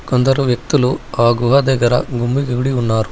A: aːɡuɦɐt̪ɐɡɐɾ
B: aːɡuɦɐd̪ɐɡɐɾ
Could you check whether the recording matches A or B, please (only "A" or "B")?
B